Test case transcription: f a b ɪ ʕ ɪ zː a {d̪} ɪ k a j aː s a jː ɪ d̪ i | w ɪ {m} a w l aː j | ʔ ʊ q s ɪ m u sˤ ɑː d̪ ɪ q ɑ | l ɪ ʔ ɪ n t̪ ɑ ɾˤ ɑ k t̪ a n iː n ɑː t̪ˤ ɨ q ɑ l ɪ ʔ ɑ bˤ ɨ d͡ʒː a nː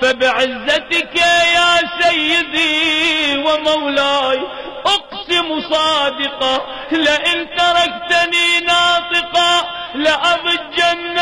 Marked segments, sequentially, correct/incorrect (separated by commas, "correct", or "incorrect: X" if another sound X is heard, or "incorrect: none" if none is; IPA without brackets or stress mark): incorrect: t̪, correct